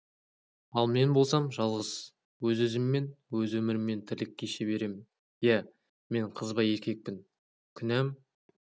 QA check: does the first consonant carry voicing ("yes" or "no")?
yes